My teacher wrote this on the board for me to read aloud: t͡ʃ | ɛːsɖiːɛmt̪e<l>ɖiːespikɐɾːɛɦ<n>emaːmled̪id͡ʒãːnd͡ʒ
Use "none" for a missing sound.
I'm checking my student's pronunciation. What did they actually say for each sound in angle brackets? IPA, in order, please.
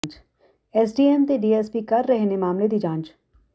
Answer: none, n

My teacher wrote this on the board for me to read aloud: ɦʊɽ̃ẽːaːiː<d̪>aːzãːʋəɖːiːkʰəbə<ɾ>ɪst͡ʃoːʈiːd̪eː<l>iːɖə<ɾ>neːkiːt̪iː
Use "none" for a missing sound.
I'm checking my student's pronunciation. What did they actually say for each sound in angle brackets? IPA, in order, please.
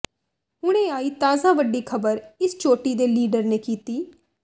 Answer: t̪, ɾ, l, ɾ

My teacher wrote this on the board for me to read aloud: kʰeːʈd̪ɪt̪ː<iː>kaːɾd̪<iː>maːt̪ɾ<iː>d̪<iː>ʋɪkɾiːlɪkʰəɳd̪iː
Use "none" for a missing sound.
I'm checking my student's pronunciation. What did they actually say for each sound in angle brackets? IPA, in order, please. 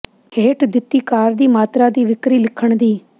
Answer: iː, iː, aː, iː

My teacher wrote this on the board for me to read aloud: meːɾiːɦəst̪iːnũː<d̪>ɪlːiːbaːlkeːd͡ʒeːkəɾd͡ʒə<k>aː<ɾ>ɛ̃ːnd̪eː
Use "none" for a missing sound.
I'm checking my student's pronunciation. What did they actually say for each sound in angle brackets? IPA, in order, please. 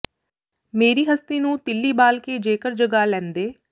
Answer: t̪, ɡ, l

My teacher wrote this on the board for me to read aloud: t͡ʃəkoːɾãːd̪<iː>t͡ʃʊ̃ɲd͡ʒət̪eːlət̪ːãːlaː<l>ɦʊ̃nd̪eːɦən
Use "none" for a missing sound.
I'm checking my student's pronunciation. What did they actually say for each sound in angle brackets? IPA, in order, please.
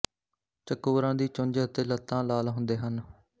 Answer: iː, l

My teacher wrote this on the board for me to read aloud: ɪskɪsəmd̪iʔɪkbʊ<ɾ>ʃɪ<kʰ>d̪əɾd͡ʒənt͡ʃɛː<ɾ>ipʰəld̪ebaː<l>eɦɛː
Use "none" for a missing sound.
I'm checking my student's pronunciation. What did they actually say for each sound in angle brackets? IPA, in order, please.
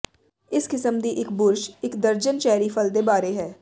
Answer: ɾ, k, ɾ, ɾ

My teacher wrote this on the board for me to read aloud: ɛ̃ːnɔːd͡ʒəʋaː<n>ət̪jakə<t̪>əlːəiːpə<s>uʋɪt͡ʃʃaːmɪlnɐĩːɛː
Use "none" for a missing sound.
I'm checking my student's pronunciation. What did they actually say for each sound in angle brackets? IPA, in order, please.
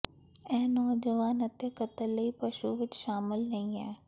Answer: n, t̪, ʃ

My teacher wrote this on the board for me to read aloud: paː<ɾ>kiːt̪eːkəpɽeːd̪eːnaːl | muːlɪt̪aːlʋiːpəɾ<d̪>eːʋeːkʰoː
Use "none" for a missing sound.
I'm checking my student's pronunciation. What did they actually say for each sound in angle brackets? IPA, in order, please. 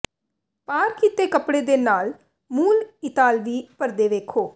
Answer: ɾ, d̪

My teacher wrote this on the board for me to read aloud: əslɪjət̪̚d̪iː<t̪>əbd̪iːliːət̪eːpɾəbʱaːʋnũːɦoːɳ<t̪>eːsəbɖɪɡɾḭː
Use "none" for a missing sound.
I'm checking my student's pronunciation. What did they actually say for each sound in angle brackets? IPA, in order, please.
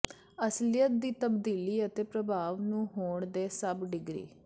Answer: t̪, d̪

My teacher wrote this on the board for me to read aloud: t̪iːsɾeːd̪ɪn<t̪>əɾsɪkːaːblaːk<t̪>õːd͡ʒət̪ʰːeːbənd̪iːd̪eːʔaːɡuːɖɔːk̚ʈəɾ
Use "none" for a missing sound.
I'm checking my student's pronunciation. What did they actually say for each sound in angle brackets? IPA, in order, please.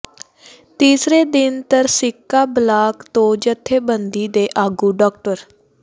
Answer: t̪, t̪

